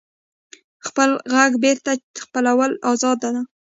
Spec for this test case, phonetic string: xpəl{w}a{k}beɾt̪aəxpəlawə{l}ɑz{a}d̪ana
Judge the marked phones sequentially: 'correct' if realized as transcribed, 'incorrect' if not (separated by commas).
incorrect, incorrect, correct, incorrect